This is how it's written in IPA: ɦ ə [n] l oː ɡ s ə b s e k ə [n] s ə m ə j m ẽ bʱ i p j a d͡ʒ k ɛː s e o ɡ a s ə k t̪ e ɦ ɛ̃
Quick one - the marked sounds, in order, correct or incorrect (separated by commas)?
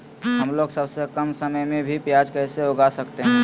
incorrect, incorrect